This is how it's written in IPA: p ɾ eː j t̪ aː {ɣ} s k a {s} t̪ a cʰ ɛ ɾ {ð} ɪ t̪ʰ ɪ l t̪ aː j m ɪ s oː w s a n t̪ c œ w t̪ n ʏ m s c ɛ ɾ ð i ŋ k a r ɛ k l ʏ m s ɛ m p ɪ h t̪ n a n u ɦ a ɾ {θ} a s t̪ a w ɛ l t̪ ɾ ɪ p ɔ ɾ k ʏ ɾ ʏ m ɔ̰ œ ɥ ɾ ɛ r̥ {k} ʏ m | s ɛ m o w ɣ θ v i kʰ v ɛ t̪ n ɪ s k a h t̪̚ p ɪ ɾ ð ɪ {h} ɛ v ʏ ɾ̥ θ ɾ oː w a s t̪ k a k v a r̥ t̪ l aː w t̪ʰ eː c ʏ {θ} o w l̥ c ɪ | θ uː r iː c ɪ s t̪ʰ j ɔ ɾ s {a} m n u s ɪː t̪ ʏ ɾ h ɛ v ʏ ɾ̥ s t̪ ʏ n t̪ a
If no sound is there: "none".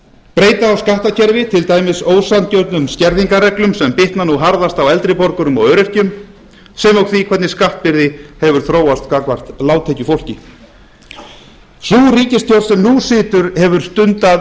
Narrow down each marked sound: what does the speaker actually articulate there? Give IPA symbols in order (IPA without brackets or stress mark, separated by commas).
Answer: w, h, v, ð, c, h, f, ɛ